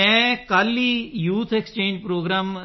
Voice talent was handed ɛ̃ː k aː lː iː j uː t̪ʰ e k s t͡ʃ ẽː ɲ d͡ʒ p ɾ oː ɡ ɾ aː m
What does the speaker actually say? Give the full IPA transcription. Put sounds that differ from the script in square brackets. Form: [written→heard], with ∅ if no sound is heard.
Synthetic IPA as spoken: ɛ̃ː k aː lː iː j uː t̪ʰ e k s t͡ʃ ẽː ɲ d͡ʒ p ɾ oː ɡ ɾ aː m